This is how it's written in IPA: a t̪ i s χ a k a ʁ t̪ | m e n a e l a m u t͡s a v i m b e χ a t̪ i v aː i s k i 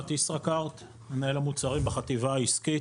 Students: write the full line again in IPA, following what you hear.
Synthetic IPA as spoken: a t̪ i s ʁ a k a ʁ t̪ | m e n a e l a m u t͡s a ʁ i m b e χ a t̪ i v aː i s k i